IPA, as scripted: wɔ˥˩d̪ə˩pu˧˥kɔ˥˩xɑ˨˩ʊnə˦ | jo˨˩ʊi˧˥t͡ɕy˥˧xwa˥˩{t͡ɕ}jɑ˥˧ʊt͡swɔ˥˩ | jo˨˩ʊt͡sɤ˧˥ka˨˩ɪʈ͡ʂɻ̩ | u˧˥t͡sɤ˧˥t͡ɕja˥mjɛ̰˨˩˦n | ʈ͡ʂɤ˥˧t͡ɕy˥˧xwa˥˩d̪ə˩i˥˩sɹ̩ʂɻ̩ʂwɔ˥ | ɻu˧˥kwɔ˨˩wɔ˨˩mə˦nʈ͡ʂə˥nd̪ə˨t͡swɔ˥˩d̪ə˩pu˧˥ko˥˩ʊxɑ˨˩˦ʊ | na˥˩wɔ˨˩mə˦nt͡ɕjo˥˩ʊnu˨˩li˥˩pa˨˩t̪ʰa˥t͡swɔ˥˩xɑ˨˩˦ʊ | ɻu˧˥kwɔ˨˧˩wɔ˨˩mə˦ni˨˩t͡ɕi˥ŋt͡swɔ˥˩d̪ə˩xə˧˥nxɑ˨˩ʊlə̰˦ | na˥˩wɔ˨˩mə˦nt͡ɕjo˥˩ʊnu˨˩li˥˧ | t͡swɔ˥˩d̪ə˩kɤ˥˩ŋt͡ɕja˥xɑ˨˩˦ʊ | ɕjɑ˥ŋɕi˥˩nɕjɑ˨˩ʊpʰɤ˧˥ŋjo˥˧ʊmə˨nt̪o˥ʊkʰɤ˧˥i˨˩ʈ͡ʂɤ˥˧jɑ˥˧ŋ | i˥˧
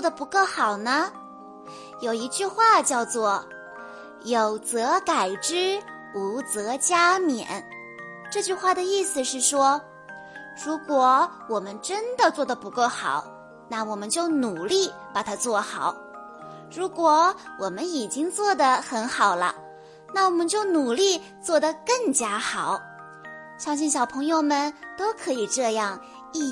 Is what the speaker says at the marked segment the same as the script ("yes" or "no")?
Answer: yes